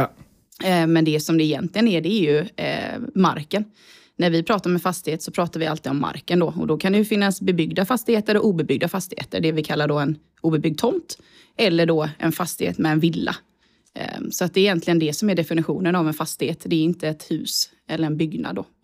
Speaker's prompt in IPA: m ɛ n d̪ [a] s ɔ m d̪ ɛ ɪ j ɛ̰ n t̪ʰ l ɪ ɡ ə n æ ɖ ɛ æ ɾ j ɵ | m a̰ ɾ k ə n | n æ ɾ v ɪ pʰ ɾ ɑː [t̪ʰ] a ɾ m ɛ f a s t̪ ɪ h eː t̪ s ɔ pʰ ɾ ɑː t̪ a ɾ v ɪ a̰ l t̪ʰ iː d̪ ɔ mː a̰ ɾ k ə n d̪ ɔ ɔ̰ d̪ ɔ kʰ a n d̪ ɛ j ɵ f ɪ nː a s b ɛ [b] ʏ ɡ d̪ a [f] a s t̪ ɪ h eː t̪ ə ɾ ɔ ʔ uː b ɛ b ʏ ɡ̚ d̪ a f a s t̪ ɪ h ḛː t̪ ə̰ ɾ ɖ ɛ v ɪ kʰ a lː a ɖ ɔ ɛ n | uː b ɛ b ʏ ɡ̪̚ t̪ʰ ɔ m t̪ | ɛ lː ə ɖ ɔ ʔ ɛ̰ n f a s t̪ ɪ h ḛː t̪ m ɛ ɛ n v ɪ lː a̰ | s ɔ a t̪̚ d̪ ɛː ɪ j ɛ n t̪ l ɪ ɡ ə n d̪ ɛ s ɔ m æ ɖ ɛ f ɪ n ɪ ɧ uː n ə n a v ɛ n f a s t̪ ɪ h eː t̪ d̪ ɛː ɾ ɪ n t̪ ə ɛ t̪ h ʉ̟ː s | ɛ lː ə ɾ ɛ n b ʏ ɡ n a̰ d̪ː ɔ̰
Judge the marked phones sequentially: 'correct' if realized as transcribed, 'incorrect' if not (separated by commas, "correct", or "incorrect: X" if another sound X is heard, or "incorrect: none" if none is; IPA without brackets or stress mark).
incorrect: ɛ, incorrect: t̪, correct, correct